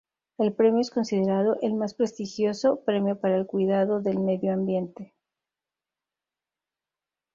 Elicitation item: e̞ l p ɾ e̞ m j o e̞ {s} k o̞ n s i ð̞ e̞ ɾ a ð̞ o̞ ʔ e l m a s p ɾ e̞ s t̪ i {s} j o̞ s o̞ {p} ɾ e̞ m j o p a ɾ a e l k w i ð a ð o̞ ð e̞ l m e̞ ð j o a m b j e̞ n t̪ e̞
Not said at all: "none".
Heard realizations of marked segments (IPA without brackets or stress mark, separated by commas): s, x, p